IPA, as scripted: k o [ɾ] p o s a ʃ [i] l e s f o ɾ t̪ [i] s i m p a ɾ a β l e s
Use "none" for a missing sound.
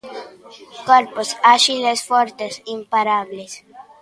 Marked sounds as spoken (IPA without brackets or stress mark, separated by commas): ɾ, i, e